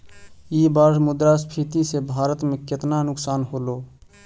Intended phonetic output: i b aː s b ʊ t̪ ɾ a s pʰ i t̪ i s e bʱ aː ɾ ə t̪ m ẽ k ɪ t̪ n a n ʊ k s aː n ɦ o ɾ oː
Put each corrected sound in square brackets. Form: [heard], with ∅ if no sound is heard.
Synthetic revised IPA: i b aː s [m] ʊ [d̪] ɾ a s pʰ i t̪ i s e bʱ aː ɾ ə t̪ m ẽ k ɪ t̪ n a n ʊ k s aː n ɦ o [l] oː